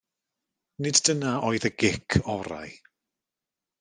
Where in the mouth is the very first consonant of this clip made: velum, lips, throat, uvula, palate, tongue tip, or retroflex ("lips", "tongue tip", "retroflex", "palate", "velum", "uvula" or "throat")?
tongue tip